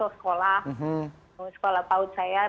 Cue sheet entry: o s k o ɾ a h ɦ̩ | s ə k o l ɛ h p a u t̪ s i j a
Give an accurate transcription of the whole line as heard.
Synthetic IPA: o s k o l a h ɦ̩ | s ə k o l a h p a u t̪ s a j a